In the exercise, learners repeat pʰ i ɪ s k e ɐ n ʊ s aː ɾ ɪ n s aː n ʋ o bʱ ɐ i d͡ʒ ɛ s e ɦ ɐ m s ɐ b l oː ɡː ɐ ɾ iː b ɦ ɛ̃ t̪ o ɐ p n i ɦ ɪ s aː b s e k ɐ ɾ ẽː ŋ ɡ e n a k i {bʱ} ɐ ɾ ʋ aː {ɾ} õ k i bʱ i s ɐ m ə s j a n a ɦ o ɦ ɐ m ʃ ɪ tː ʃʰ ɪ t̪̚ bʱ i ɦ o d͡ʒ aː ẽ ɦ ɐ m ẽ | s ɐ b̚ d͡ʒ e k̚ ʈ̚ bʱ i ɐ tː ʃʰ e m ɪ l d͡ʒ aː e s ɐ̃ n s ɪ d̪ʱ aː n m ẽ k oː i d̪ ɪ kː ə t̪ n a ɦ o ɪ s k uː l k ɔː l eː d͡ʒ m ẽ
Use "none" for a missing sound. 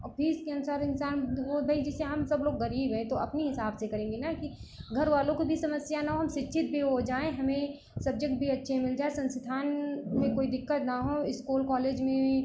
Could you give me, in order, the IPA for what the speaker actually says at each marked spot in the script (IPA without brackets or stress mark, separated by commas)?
ɡʱ, l